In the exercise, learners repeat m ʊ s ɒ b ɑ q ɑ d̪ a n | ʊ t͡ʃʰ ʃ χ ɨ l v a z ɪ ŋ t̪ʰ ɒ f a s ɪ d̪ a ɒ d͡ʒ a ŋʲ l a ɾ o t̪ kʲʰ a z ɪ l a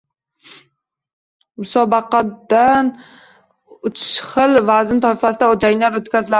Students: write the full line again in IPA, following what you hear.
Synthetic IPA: m ʊ s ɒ b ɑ q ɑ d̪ a n | ʊ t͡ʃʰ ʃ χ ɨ l v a z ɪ n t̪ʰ ɒ f a s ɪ d̪ a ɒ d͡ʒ a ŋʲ l a ɾ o t̪ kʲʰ a z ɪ l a